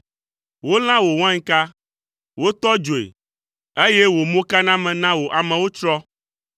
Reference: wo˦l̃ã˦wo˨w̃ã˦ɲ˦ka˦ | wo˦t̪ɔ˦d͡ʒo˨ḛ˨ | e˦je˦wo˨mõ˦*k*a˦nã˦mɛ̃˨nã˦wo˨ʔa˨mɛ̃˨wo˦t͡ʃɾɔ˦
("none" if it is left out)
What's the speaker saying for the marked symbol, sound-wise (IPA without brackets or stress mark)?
k